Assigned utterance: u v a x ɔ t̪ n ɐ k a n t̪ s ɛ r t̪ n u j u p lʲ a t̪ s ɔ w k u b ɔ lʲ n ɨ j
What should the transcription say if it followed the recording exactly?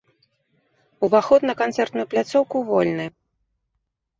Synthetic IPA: u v a x ɔ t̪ n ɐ k a n t̪ s ɛ r t̪ n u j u p lʲ a t̪ s ɔ w k u v ɔ lʲ n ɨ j